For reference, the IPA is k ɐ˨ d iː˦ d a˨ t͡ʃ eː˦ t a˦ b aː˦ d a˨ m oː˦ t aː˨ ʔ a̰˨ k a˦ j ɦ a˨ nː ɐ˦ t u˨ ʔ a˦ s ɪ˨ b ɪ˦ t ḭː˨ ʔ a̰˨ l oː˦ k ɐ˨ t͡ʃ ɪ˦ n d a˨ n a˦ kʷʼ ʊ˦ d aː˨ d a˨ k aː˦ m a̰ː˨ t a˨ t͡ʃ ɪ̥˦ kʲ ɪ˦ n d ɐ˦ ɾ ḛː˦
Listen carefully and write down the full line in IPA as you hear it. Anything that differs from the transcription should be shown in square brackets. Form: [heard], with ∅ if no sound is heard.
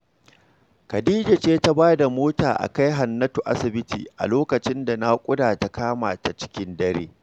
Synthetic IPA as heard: k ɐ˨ d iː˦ [d͡ʒ] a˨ t͡ʃ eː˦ t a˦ b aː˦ d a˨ m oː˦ t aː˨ ʔ a̰˨ k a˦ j ɦ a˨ nː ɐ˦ t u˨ ʔ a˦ s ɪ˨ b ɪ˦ t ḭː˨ ʔ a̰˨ l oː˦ k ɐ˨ t͡ʃ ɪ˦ n d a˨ n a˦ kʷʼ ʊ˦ d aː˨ [t] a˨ k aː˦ m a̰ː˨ t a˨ t͡ʃ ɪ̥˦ kʲ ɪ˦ n d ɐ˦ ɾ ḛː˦